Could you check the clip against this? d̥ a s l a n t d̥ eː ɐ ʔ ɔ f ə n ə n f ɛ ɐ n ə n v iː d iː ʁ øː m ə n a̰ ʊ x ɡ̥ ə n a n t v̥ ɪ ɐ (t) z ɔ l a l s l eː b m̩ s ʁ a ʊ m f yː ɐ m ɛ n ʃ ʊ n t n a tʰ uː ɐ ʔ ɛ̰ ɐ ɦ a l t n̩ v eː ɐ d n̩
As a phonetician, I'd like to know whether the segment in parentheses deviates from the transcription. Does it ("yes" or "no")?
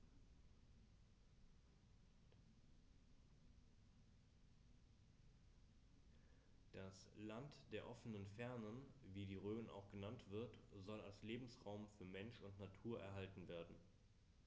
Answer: no